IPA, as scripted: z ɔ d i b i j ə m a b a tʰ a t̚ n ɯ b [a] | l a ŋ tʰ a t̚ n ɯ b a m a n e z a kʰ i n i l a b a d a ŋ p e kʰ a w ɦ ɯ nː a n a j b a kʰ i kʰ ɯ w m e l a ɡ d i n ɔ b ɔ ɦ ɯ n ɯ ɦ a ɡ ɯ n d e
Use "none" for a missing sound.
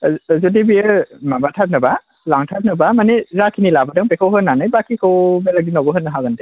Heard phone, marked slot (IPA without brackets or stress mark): a